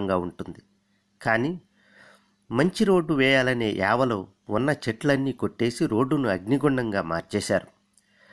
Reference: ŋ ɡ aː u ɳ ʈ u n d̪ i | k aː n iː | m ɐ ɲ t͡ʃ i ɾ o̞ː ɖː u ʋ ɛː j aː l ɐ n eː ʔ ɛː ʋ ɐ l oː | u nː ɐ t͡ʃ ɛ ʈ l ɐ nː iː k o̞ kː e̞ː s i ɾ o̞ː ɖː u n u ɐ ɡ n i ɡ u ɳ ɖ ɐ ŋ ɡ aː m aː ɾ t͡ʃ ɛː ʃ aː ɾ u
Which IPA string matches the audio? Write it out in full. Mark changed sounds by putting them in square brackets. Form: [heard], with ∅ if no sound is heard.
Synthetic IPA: ŋ ɡ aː u ɳ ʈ u n d̪ i | k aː n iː | m ɐ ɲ t͡ʃ i ɾ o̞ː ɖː u ʋ ɛː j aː l ɐ n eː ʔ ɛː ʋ ɐ l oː | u nː ɐ t͡ʃ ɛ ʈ l ɐ nː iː k o̞ [ʈː] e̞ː s i ɾ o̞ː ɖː u n u ɐ ɡ n i ɡ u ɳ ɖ ɐ ŋ ɡ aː m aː ɾ t͡ʃ ɛː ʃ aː ɾ u